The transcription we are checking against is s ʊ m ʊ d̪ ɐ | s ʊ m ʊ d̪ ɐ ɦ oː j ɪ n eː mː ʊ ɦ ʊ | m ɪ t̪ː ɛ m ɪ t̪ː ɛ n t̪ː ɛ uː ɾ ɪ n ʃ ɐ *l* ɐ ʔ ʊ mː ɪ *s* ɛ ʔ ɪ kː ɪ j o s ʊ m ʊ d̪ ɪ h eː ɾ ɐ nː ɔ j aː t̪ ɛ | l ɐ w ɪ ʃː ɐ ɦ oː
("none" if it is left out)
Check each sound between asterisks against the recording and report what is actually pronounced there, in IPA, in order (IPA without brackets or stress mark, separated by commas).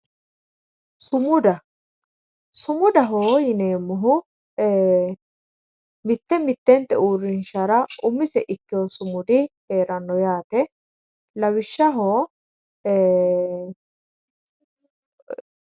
ɾ, s